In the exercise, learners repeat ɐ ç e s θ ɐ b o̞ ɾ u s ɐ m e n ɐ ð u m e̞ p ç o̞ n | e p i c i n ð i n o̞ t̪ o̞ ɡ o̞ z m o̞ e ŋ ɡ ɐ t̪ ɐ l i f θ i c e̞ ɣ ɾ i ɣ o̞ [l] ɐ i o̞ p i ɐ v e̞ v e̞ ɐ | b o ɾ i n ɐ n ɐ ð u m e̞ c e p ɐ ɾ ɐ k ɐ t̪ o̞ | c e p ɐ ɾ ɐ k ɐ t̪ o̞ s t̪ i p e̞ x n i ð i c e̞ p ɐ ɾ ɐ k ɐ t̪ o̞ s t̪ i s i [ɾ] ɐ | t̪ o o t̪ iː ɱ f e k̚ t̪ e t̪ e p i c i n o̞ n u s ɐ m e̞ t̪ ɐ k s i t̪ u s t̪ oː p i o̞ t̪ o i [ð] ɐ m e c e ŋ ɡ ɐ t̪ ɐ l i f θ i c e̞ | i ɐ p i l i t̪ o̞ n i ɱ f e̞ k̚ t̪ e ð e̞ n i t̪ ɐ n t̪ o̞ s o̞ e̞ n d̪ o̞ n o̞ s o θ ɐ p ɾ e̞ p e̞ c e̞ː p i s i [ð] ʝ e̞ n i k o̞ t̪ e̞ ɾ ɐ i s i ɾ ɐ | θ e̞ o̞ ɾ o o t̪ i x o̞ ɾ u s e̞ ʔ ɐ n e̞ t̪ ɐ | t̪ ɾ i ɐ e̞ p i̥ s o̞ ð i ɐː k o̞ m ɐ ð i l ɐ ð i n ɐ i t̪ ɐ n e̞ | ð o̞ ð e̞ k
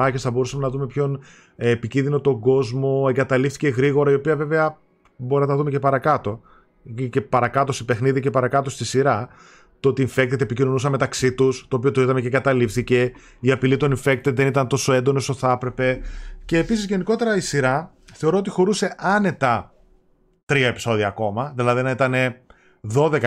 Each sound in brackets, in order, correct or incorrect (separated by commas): incorrect, correct, correct, incorrect